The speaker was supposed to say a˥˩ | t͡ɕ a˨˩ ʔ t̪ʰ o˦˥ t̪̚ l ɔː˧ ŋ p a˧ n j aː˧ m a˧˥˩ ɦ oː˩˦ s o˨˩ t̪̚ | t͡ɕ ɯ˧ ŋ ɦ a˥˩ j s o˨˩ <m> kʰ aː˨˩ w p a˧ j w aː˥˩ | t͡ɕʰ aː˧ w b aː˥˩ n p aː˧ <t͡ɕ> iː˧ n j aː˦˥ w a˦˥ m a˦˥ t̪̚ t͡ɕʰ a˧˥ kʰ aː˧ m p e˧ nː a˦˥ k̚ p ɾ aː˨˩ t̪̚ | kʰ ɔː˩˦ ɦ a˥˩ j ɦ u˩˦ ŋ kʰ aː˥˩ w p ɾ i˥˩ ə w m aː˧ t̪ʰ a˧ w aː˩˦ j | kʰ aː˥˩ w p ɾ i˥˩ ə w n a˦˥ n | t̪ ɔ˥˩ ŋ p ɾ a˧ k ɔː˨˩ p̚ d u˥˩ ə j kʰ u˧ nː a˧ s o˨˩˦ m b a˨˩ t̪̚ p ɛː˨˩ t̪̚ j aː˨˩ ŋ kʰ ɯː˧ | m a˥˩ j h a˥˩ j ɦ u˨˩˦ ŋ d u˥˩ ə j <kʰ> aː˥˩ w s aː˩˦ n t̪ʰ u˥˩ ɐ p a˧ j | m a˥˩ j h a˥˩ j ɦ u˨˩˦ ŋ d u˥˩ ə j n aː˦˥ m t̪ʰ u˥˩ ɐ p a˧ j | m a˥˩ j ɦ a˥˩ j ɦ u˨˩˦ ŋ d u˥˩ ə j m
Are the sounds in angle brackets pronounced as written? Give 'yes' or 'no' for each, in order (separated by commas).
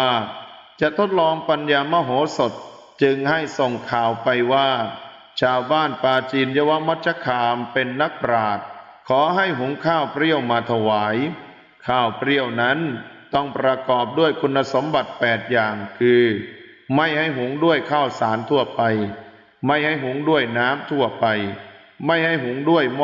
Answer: no, yes, yes